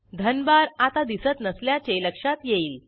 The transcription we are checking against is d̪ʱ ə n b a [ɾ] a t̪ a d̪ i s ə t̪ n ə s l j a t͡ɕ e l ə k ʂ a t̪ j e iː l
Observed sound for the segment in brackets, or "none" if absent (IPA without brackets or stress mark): ɾ